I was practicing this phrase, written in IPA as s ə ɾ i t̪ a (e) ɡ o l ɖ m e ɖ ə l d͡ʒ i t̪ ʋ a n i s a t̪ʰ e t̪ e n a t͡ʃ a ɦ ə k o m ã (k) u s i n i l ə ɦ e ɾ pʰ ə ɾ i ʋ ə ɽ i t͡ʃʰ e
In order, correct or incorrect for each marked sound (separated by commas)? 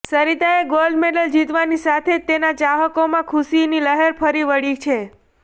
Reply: correct, incorrect